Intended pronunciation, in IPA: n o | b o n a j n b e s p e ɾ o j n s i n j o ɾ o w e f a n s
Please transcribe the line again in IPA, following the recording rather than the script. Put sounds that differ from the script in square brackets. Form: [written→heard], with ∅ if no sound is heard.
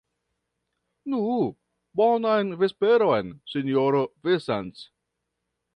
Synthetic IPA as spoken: n [o→u] | b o n a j n [b→v] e s p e ɾ o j n s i n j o ɾ o [w→v] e [f→s] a n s